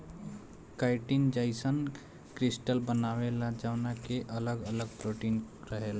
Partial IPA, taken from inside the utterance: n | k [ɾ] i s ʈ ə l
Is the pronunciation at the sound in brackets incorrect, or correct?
correct